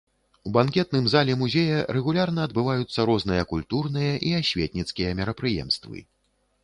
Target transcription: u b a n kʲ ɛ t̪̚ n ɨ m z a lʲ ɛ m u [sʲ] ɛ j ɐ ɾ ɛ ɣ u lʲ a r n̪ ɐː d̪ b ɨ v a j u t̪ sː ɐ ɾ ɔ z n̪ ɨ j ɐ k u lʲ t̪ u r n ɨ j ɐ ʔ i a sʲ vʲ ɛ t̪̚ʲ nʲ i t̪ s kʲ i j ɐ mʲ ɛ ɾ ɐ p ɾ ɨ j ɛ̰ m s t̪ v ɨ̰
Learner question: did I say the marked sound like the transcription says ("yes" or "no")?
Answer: no